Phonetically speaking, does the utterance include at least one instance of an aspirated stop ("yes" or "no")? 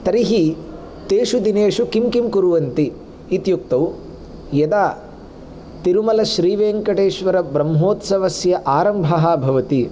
no